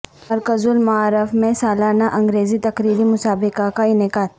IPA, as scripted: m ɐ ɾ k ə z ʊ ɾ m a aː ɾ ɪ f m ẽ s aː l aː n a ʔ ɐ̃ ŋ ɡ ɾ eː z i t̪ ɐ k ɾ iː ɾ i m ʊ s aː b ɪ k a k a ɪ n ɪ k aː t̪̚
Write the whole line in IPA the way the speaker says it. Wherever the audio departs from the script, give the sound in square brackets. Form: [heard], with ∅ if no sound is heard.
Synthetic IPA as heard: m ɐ ɾ k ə z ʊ [l] m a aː ɾ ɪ f m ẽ s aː l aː n a ʔ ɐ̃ ŋ ɡ ɾ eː z i t̪ ɐ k ɾ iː ɾ i m ʊ s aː b ɪ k a k a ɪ n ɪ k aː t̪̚